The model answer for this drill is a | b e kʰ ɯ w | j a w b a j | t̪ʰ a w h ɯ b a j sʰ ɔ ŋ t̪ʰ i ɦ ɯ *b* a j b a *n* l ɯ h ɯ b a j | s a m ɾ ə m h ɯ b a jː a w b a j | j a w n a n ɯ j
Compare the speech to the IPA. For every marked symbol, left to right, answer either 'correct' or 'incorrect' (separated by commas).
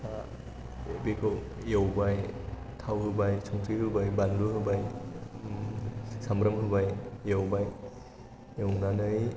correct, correct